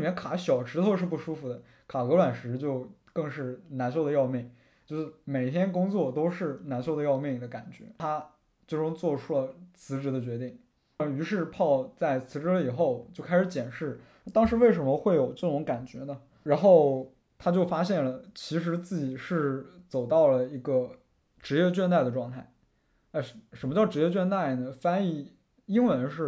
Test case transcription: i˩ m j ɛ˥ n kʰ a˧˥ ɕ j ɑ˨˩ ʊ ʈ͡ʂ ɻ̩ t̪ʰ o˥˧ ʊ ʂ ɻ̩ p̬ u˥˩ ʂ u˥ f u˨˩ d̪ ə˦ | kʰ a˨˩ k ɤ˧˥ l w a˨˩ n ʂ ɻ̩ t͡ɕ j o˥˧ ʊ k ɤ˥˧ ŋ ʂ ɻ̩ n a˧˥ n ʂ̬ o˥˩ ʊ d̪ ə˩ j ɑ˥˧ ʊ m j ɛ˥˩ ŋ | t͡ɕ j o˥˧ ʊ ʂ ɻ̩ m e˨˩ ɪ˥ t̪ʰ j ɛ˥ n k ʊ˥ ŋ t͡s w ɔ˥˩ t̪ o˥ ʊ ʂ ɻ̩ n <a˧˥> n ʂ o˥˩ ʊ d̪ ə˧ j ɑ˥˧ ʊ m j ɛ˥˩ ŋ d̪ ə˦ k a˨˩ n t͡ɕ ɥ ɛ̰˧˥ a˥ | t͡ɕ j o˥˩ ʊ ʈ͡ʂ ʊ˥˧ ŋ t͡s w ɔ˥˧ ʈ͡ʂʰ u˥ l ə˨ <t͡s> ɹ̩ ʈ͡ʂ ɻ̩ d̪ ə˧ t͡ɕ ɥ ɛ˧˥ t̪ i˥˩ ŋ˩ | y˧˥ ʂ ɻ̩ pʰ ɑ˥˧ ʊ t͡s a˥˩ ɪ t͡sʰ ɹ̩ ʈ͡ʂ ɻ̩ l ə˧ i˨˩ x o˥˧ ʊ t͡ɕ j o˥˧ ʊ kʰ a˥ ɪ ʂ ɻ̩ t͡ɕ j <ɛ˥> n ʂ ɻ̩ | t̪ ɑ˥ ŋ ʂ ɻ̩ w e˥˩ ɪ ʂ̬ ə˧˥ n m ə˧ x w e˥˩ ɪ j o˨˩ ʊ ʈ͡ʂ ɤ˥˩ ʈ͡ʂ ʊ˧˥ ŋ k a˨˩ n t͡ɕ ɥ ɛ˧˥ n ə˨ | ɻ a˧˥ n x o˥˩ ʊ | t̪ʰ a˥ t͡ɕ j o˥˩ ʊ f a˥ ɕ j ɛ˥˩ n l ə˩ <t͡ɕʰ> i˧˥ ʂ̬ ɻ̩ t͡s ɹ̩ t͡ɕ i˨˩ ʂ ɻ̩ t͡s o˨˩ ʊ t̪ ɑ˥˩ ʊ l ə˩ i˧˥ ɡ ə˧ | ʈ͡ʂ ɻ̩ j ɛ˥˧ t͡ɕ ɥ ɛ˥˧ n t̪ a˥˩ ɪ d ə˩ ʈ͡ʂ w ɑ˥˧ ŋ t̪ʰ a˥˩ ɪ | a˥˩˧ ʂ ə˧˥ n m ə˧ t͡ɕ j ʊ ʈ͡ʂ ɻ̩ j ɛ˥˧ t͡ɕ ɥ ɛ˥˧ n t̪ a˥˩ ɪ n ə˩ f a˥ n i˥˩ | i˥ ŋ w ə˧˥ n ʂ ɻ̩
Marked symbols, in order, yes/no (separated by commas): yes, no, no, yes